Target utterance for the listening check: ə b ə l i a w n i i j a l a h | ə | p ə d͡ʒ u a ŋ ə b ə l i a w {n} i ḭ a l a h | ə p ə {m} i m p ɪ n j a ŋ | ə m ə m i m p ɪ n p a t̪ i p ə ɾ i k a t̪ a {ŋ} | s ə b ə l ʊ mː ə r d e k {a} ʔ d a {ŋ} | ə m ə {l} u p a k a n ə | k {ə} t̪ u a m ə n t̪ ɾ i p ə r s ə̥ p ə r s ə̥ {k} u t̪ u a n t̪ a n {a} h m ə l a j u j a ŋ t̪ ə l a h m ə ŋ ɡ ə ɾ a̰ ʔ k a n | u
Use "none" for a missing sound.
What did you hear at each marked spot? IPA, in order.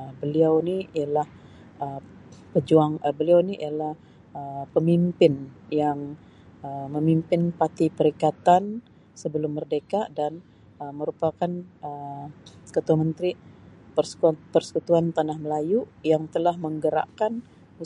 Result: n, m, n, a, n, ɾ, ə, k, a

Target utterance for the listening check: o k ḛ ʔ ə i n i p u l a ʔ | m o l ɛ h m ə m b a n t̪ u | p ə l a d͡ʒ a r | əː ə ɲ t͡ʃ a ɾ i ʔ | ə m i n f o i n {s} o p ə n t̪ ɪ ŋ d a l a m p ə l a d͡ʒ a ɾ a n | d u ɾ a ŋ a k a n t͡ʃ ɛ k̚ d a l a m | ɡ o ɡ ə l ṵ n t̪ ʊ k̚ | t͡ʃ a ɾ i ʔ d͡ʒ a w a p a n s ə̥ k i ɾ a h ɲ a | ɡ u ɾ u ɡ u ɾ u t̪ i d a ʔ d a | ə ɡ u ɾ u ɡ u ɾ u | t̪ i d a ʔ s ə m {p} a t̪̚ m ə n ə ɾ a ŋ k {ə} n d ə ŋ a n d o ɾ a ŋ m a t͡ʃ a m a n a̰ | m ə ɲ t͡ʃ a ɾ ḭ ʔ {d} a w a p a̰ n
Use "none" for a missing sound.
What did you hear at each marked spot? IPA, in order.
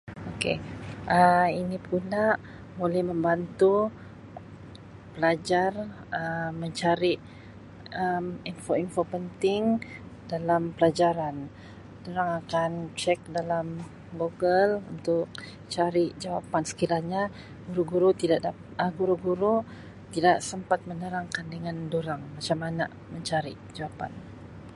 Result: f, p, a, d͡ʒ

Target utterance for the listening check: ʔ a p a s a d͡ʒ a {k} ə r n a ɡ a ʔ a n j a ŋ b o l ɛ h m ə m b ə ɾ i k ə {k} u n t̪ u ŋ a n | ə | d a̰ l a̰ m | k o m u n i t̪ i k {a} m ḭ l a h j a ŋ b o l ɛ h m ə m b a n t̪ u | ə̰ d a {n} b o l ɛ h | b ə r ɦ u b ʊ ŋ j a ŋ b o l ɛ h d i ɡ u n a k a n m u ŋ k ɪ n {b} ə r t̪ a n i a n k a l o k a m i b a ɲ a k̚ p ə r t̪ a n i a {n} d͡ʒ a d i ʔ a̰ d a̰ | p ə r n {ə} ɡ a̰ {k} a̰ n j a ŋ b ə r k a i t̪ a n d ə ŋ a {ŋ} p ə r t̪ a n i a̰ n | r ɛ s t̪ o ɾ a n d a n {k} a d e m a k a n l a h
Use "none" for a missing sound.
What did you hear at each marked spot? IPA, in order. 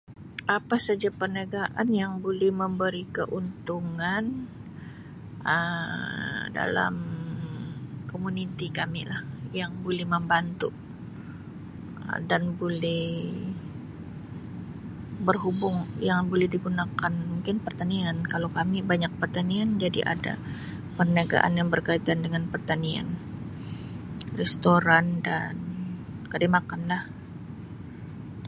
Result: p, ʔ, a, n, p, n, a, ʔ, n, k

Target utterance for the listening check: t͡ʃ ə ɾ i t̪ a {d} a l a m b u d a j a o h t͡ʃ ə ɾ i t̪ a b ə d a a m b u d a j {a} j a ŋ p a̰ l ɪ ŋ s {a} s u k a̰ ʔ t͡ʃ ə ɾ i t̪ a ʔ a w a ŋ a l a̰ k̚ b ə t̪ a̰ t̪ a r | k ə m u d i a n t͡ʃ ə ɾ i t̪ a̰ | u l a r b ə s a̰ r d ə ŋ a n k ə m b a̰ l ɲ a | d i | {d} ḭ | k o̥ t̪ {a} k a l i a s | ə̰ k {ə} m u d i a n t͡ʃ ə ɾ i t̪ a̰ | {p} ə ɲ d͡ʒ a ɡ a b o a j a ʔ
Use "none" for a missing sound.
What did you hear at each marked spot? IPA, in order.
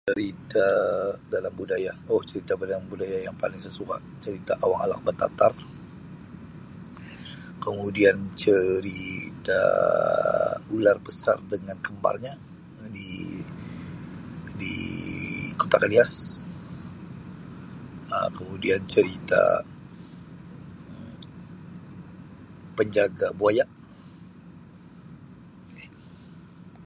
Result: d, a, ə, d, a, ə, p

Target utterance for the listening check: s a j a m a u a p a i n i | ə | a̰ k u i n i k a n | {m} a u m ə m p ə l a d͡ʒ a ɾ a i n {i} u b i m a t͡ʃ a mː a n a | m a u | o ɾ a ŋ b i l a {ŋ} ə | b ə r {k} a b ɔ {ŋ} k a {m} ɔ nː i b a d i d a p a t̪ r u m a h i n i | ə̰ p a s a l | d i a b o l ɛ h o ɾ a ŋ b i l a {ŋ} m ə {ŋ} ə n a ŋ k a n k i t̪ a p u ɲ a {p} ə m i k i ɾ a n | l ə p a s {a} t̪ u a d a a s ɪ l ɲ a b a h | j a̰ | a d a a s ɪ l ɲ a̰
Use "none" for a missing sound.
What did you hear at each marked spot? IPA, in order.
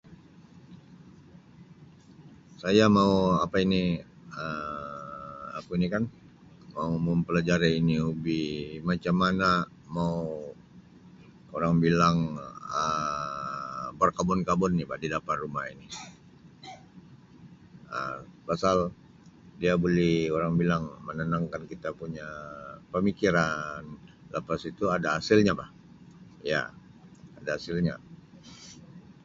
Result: m, i, ŋ, k, n, b, ŋ, n, p, i

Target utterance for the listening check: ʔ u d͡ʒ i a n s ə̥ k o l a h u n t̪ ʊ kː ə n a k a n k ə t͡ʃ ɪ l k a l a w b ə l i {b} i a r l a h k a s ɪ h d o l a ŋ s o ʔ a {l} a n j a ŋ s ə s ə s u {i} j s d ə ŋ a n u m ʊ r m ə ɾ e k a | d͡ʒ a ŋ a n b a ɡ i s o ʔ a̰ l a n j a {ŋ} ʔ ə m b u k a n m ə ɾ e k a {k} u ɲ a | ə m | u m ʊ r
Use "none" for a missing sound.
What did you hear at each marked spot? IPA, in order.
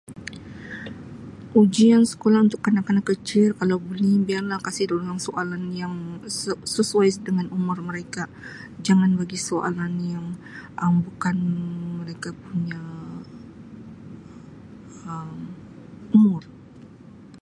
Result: b, l, a, ŋ, p

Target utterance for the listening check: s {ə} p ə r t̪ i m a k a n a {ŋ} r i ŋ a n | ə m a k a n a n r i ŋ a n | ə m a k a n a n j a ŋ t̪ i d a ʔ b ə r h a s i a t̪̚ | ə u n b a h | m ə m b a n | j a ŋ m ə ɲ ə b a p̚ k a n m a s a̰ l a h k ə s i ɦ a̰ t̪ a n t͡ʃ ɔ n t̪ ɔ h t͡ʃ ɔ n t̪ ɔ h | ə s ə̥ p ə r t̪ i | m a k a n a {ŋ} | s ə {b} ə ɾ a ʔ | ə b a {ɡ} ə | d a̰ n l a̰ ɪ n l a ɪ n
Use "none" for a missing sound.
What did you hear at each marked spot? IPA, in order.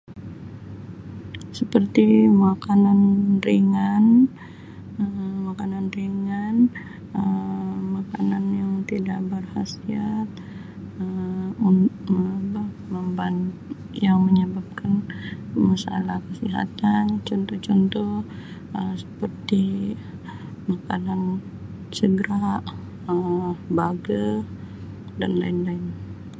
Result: ə, n, n, ɡ, ɡ

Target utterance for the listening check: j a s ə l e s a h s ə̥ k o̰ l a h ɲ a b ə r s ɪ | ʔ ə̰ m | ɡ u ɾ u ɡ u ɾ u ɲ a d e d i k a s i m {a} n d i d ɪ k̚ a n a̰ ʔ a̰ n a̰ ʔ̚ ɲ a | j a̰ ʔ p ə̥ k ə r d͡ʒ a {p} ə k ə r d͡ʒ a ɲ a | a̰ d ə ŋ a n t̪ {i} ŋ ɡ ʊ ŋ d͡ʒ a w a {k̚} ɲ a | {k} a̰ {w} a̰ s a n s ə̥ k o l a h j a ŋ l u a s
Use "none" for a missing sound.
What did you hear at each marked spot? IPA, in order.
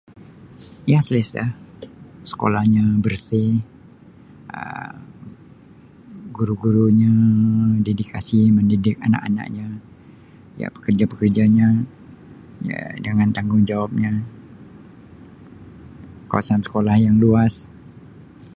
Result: ə, p, a, p̚, k, w

